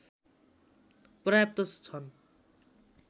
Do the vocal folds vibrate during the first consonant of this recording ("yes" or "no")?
no